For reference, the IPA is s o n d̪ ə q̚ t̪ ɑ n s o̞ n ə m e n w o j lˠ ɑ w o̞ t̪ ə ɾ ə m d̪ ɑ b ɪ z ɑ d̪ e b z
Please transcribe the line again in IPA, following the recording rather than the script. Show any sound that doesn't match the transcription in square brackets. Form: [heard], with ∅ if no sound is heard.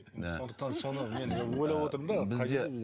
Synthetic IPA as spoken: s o n d̪ ə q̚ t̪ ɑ n s o̞ n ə m e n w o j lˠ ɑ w o̞ t̪ ə ɾ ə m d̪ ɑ b ɪ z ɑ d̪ e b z

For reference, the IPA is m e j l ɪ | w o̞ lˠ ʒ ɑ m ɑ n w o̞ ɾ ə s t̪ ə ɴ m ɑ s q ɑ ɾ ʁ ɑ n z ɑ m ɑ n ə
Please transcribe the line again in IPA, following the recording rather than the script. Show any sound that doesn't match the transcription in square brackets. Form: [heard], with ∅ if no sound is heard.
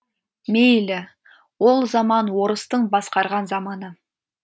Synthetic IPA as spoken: m e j l ɪ | w o̞ lˠ [z] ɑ m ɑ n w o̞ ɾ ə s t̪ ə ɴ [b] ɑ s q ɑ ɾ ʁ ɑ n z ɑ m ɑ n ə

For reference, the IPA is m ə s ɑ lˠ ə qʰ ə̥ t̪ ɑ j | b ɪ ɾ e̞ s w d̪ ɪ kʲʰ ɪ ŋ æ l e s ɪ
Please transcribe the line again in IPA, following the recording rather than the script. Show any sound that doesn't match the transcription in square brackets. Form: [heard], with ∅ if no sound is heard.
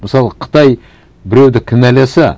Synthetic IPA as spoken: m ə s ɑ lˠ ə qʰ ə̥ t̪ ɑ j | b ɪ ɾ e̞ [∅] w d̪ ɪ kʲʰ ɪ [n] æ l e s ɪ

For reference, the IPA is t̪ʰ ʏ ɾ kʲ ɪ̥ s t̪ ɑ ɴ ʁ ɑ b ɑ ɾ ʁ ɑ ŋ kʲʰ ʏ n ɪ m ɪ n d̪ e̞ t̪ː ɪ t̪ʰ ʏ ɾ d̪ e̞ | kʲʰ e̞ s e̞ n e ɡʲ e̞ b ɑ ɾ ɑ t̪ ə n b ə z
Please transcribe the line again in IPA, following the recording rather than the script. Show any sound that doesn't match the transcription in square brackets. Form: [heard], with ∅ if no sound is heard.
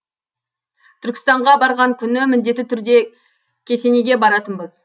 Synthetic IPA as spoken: t̪ʰ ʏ ɾ kʲ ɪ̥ s t̪ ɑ ɴ ʁ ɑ b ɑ ɾ ʁ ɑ ŋ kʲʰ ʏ n ɪ m ɪ n d̪ e̞ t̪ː ɪ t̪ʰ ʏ ɾ d̪ e̞ | kʲʰ e̞ s e̞ n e ɡʲ e̞ b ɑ ɾ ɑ t̪ ə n b ə z

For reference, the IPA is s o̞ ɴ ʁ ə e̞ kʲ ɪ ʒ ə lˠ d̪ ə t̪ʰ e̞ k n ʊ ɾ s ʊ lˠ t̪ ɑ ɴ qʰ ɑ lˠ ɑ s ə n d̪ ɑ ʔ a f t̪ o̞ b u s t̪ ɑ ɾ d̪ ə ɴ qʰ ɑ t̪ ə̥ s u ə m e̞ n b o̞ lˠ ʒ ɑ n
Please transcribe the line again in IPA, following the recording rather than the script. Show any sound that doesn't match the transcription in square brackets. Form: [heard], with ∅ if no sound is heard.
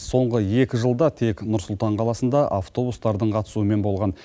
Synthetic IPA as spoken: s o̞ ɴ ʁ ə e̞ kʲ ɪ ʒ ə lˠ d̪ [ɑ] t̪ʰ e̞ k n ʊ ɾ s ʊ lˠ t̪ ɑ ɴ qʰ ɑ lˠ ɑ s ə n d̪ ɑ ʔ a f t̪ o̞ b u s t̪ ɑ ɾ d̪ ə ɴ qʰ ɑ t̪ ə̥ s u ə m e̞ n b o̞ lˠ [ʁ] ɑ n

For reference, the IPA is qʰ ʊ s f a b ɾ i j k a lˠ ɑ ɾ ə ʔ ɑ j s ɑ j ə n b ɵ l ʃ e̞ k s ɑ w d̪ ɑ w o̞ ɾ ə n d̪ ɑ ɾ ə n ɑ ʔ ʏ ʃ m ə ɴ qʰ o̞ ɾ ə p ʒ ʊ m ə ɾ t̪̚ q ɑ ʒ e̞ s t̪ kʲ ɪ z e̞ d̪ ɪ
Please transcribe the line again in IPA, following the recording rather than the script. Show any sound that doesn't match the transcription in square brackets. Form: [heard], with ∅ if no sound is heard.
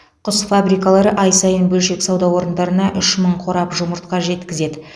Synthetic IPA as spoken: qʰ ʊ s f a b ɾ i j k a lˠ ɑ ɾ ə ʔ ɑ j s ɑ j ə n b ɵ l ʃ e̞ k s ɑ w d̪ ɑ w o̞ ɾ ə n d̪ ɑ ɾ ə n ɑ ʔ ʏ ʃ m ə ɴ qʰ o̞ ɾ [ɑ] p ʒ ʊ m ə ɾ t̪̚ q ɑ ʒ e̞ [∅] t̪ kʲ ɪ z e̞ d̪ ɪ

